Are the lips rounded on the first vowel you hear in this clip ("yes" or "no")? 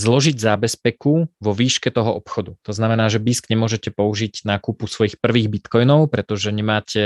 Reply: yes